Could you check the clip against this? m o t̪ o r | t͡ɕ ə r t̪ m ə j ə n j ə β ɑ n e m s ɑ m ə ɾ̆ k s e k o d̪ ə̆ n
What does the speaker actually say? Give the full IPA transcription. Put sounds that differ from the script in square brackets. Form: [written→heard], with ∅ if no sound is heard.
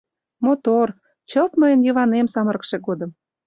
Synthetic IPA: m o t̪ o r | t͡ɕ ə [r→l] t̪ m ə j ə n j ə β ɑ n e m s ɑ m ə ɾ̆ k [s→ʃ] e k o d̪ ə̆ [n→m]